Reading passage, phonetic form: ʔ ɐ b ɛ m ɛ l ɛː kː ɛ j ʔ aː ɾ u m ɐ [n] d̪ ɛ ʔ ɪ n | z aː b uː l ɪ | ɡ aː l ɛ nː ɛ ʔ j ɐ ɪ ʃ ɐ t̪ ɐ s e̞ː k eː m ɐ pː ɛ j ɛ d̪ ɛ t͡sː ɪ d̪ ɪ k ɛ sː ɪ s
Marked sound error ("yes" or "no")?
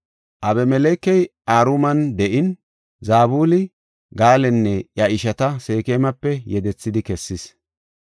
no